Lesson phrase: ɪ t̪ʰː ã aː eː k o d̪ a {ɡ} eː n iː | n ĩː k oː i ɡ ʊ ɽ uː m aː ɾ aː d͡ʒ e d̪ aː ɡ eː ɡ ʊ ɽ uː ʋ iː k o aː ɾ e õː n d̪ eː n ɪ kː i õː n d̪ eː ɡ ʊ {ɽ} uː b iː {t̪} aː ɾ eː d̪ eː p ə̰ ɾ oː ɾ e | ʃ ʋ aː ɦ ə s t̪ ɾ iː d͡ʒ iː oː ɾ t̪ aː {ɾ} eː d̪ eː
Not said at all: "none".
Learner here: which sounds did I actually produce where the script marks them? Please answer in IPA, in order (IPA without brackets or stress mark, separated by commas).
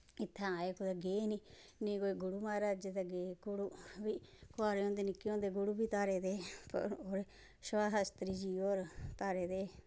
ɡ, ɽ, t̪, ɾ